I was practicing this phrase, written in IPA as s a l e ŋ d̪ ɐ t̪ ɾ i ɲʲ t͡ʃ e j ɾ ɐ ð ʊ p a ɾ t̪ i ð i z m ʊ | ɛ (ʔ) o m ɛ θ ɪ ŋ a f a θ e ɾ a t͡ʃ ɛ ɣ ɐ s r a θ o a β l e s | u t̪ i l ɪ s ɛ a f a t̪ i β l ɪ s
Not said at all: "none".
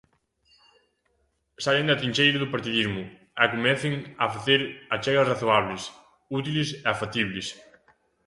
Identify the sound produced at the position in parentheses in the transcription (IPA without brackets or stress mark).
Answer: k